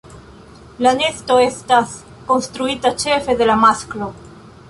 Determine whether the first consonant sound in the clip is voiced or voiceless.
voiced